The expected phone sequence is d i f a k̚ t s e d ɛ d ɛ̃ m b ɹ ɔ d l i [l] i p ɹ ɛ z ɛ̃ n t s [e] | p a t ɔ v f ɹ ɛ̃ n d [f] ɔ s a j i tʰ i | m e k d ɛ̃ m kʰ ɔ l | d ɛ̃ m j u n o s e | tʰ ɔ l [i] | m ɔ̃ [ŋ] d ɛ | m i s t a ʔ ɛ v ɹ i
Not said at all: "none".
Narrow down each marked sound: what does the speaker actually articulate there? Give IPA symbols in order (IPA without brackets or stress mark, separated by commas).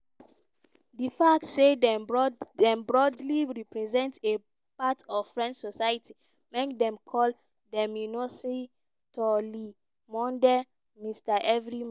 ɹ, e, s, i, n